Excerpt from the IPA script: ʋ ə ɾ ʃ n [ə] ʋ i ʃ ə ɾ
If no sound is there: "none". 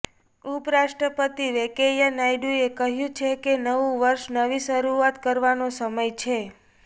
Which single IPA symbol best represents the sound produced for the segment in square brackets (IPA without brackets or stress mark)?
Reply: ə